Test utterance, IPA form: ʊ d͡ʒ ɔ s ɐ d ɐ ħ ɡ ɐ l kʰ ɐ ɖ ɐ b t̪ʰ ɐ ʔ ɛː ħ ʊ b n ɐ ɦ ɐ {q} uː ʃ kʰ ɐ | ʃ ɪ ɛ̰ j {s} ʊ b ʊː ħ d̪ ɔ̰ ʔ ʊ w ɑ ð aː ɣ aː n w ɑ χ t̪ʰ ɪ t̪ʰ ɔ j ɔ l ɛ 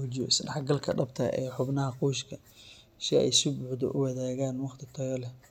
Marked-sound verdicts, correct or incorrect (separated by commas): correct, correct